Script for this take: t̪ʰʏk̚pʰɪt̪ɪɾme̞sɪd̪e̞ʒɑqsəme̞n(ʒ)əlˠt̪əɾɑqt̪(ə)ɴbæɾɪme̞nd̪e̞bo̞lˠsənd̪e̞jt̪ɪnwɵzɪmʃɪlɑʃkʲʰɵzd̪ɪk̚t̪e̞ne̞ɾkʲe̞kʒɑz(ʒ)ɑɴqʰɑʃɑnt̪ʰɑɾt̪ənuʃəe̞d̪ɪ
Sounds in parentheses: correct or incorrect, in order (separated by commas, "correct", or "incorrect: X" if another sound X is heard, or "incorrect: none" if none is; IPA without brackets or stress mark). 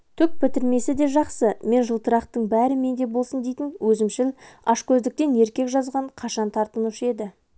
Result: correct, correct, incorrect: ʁ